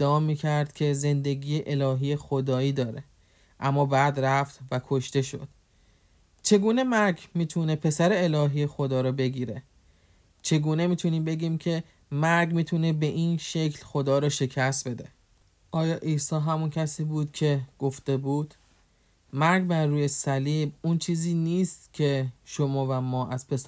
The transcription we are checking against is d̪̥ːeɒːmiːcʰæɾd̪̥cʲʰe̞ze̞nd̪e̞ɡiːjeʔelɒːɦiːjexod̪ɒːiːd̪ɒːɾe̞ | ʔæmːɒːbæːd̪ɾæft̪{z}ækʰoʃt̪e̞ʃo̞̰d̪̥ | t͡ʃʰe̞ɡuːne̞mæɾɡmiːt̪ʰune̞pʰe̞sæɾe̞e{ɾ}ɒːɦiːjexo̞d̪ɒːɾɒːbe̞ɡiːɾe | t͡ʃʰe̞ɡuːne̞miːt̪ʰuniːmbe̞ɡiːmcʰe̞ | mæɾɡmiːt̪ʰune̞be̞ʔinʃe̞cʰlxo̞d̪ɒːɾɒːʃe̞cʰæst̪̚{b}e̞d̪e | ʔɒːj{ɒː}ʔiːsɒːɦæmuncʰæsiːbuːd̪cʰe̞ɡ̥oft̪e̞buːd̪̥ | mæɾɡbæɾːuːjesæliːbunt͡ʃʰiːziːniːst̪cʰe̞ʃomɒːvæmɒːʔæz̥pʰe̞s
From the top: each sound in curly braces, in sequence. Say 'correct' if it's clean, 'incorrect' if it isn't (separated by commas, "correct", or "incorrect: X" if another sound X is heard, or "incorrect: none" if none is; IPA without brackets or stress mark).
incorrect: v, incorrect: l, correct, correct